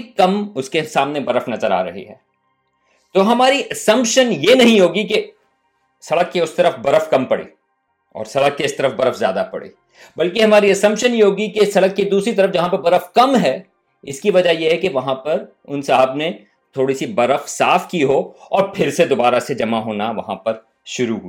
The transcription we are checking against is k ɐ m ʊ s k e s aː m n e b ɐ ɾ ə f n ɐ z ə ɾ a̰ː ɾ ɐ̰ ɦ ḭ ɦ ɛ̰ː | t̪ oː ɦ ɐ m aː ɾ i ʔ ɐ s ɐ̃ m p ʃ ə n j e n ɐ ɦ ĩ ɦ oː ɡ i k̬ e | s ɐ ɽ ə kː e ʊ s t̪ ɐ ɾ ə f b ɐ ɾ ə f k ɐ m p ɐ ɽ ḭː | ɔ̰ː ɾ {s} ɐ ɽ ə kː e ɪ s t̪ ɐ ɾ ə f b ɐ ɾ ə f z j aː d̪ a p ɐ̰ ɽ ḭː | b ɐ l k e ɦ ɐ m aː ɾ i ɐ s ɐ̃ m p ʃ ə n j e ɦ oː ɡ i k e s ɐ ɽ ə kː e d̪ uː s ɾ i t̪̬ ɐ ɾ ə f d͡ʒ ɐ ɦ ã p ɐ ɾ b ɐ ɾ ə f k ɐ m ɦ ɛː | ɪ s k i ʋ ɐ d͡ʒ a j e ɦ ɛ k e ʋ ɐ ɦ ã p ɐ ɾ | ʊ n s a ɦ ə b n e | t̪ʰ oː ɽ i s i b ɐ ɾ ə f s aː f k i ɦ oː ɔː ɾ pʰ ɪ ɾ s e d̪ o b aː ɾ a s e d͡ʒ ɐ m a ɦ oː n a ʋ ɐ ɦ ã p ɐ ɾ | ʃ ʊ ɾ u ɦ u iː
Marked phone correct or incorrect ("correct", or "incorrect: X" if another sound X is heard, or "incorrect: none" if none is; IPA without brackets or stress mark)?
correct